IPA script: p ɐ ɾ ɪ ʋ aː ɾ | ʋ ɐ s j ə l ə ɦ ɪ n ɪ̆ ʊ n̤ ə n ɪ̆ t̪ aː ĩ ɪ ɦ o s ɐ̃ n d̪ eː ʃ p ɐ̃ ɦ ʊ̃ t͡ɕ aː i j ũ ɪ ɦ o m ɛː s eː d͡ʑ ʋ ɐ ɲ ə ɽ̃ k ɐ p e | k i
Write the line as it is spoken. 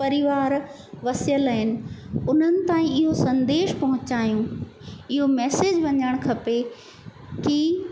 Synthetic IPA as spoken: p ɐ ɾ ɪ ʋ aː ɾ | ʋ ɐ s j ə l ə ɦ ɪ n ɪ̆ ʊ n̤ ə n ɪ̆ t̪ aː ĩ ɪ ɦ o s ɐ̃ n d̪ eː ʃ p ɐ ɦ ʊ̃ t͡ɕ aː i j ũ ɪ ɦ o m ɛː s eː d͡ʑ ʋ ɐ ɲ ə ɽ̃ kʰ ɐ p e | k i